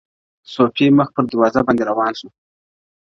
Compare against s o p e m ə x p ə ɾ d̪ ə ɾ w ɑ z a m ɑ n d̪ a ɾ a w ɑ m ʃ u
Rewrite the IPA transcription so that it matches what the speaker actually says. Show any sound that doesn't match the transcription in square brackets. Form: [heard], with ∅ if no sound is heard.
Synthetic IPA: s o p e m ə x p ə ɾ d̪ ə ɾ w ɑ z a [b] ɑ n d̪ [e] ɾ a w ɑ [n] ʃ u